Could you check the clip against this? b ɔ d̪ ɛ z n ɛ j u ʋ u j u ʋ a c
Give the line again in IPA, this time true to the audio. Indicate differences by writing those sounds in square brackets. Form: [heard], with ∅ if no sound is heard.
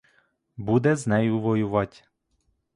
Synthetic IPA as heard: b [u] d̪ ɛ z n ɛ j u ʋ [ɔ] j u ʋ a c